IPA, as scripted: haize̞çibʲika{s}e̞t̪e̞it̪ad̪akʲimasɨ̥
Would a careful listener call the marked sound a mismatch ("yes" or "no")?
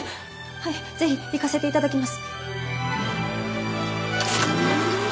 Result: no